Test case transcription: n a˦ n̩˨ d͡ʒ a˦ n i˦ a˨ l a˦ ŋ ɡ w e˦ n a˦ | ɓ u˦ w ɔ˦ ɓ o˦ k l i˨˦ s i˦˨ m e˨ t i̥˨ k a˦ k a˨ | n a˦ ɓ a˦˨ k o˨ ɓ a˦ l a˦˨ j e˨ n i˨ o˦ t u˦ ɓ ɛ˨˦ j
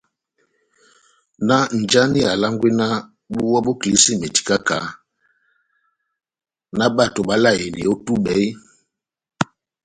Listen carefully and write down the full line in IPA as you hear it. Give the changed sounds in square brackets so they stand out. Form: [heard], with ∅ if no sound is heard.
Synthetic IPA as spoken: n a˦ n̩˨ d͡ʒ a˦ n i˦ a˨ l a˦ ŋ ɡ w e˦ n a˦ | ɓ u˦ w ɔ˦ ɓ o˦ k l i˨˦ s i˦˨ m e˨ t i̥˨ k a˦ k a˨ | n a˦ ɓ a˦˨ [t] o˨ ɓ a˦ l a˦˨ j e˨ n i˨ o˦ t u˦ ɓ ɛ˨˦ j

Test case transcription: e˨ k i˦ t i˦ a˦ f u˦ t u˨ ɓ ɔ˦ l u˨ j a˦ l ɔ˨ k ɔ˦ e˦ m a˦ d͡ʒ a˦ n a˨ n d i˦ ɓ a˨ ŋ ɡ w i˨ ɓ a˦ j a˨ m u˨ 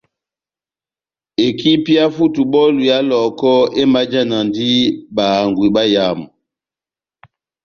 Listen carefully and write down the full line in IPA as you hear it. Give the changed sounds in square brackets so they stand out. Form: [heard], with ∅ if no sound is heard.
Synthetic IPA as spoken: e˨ k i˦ [p] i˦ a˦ f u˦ t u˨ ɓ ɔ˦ l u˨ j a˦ l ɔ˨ k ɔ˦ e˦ m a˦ d͡ʒ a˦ n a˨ n d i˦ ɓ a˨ ŋ ɡ w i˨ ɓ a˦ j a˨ m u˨

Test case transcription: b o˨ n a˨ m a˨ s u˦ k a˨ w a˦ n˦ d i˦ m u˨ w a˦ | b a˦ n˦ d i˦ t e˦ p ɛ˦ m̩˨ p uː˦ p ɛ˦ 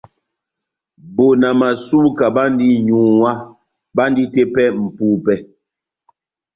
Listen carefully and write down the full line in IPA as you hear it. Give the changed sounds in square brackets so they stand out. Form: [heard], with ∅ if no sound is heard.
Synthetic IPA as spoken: b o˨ n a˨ m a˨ s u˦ k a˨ [b] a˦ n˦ d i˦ [ɲ] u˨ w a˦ | b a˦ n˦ d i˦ t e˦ p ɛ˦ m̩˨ p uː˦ p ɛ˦

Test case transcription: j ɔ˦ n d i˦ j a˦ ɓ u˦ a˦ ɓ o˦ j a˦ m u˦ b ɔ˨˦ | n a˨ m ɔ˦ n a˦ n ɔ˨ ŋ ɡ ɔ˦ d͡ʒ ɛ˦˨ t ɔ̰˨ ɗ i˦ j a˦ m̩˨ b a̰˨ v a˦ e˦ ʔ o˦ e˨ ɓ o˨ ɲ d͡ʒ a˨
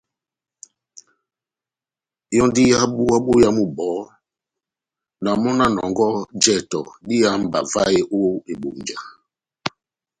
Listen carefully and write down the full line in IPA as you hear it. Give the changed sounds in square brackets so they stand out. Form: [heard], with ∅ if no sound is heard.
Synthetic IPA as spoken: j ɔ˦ n d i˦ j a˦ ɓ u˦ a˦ ɓ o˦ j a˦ m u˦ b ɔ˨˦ | n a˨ m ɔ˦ n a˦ n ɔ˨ ŋ ɡ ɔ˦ d͡ʒ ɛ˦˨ t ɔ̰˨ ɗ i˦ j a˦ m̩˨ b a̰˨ v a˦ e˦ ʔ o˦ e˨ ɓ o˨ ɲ d͡ʒ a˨

